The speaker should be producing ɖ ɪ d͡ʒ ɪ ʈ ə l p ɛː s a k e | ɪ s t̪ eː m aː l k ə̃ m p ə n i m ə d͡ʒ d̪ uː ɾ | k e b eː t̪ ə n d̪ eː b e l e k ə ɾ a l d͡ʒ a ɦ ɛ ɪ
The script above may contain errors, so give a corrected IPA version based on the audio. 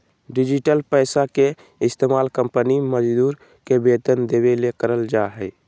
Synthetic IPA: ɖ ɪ d͡ʒ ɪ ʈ ə l p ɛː s a k e | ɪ s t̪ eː m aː l k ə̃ m p ə n i m ə d͡ʒ d̪ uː ɾ | k e b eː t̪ ə n d̪ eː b e l e k ə ɾ ə l d͡ʒ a ɦ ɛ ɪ

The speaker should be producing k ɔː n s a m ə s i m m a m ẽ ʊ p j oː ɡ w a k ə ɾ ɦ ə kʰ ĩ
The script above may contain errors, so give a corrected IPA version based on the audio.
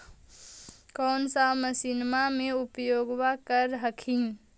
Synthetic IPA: k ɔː n s a m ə s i n m a m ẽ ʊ p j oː ɡ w a k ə ɾ ɦ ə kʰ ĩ

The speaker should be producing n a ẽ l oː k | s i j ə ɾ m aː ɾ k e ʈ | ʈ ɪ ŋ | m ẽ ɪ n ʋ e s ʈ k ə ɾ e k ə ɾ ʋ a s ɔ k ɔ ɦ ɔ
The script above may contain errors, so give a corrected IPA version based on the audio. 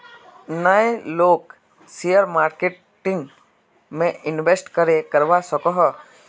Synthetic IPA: n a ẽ l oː k | s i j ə ɾ m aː ɾ k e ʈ | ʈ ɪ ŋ | m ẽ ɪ n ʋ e s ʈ k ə ɾ e k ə ɾ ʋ a s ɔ k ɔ ɦ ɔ

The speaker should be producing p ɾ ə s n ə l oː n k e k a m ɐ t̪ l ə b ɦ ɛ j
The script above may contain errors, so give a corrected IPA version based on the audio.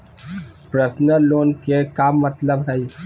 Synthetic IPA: p ɾ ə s n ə l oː n k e k a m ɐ t̪ l ə b ɦ ɛ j

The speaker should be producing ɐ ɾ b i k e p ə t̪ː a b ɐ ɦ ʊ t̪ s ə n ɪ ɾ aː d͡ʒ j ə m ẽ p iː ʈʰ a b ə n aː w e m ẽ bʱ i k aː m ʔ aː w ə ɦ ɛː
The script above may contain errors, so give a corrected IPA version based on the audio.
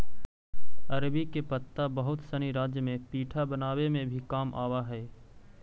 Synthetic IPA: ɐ ɾ b i k e p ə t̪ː a b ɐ ɦ ʊ t̪ s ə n i ɾ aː d͡ʒ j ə m ẽ p iː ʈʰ a b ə n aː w e m ẽ bʱ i k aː m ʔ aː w a ɦ ɛː

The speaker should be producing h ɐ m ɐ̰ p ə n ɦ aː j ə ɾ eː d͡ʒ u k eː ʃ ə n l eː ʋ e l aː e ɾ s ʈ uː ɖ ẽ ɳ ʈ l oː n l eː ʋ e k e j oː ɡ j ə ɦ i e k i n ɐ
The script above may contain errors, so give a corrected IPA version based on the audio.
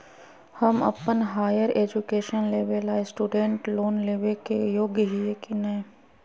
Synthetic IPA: h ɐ m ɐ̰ p ə n ɦ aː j ə ɾ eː d͡ʒ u k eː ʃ ə n l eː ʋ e l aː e s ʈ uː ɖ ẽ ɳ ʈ l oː n l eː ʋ e k e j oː ɡ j ə ɦ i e k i n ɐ

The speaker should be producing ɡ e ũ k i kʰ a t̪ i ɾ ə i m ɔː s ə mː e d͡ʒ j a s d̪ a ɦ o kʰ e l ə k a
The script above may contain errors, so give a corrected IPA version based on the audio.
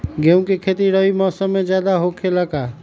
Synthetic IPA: ɡ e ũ k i kʰ e t̪ i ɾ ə i m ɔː s ə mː e d͡ʒ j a d̪ a ɦ o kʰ e l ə k a

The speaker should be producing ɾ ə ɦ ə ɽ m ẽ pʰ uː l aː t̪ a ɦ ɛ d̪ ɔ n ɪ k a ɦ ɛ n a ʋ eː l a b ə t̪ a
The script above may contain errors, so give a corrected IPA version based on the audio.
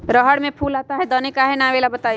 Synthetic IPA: ɾ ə ɦ ə ɽ m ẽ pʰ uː l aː t̪ a ɦ ɛ d̪ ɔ n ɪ k a ɦ ɛ n a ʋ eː l a b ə t̪ a

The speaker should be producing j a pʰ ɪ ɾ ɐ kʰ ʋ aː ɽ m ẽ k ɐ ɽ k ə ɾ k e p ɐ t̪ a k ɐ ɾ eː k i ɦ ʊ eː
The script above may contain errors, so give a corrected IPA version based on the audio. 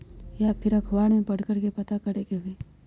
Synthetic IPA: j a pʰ ɪ ɾ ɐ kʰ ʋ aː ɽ m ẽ p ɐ ɽ k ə ɾ k e p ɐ t̪ a k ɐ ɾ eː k e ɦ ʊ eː

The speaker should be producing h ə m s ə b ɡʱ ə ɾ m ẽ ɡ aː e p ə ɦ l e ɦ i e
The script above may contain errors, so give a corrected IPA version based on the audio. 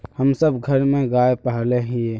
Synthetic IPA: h ə m s ə b ɡʱ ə ɾ m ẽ ɡ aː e p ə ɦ l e ɦ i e

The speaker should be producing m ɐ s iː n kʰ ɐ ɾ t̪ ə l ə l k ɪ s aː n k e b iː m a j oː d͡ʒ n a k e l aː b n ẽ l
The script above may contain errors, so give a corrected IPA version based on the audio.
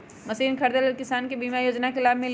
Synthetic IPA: m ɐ s iː n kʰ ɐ ɾ d̪ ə l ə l k ɪ s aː n k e b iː m a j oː d͡ʒ n a k e l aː b m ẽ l

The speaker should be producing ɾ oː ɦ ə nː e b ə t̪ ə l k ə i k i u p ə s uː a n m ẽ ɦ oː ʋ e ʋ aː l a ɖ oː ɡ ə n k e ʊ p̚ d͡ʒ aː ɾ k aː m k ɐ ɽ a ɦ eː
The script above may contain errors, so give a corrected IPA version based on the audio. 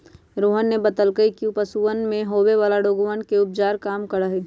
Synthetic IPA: ɾ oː ɦ ə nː e b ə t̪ ə l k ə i k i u p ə s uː ə n m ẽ ɦ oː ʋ e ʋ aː l a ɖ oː ɡ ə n k e ʊ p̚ d͡ʒ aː ɾ k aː m k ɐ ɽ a ɦ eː

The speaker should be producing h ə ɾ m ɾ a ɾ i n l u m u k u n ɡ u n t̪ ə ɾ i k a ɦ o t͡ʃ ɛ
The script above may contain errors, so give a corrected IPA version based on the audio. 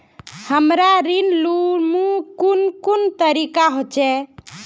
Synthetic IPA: h ə m ɾ a ɾ i n l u m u k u n k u n t̪ ə ɾ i k a ɦ o t͡ʃ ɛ

